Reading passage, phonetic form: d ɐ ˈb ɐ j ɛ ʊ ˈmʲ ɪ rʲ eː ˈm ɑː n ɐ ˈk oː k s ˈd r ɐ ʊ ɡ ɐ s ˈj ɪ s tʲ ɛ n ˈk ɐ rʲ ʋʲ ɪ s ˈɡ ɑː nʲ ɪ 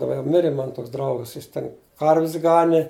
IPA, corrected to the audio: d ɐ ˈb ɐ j ɛ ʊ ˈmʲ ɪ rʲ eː ˈm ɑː n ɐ ˈt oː k s ˈd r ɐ ʊ ɡ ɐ s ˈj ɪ s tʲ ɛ n ˈk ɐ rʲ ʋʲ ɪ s ˈɡ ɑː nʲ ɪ